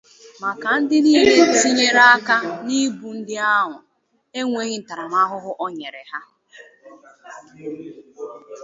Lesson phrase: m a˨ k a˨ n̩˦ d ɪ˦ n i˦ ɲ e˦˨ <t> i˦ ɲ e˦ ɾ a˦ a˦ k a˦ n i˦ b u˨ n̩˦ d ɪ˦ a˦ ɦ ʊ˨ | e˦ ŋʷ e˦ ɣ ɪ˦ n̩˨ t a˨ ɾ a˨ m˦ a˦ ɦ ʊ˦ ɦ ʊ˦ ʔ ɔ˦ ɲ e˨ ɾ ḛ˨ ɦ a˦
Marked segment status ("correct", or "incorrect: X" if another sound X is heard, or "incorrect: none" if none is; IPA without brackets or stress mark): incorrect: s